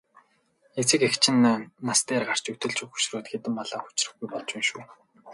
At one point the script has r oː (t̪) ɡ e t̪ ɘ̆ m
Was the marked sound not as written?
no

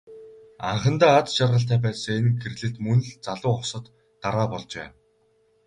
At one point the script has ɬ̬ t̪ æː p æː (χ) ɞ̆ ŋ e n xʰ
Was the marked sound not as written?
yes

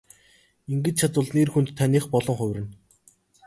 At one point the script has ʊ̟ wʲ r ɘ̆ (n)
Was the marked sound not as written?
no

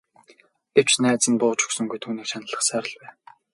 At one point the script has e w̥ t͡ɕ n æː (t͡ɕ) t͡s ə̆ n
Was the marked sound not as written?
yes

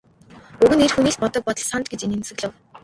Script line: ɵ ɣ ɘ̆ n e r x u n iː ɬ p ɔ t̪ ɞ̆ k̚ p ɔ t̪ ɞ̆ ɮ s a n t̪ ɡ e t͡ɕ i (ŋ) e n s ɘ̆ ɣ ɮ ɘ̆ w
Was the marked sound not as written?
yes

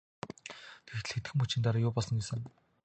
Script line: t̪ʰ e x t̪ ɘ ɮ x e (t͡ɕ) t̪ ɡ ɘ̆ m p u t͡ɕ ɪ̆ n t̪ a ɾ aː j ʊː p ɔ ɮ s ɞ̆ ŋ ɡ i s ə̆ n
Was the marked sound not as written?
yes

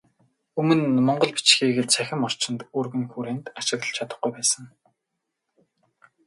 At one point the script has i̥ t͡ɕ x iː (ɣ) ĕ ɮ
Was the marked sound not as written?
no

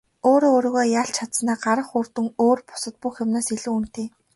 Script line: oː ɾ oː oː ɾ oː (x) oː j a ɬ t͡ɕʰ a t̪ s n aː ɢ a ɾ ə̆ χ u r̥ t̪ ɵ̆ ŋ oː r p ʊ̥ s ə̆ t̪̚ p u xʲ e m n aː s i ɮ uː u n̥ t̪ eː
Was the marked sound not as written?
yes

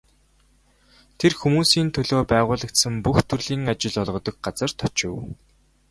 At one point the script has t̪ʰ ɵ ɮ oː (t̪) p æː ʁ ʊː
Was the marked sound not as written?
yes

